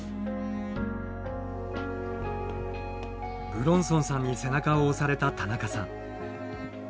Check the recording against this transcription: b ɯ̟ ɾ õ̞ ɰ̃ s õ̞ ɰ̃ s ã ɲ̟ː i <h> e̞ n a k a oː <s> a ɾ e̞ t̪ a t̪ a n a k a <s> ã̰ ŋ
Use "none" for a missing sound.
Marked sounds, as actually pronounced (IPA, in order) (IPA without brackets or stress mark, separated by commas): s, s, s